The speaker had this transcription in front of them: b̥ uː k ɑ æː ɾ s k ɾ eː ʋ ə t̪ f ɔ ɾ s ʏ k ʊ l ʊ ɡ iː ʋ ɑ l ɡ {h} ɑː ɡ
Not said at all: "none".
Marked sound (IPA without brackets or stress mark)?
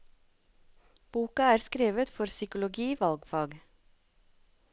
f